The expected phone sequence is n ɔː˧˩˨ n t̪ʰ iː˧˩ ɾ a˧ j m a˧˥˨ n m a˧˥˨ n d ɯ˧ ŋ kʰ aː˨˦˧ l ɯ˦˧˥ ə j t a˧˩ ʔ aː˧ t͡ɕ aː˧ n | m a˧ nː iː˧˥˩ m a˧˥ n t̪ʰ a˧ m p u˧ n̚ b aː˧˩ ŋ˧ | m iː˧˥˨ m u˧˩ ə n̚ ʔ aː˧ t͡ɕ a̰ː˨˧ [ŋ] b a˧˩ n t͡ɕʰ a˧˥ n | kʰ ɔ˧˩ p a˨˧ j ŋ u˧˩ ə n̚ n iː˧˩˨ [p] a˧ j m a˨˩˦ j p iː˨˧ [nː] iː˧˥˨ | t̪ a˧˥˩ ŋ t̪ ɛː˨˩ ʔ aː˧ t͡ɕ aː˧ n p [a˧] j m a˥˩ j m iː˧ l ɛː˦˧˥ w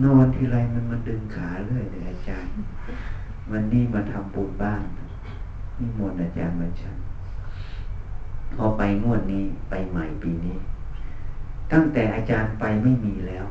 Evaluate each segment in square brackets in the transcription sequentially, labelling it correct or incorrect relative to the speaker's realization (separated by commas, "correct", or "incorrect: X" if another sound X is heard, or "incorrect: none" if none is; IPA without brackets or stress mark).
incorrect: n, correct, incorrect: n, correct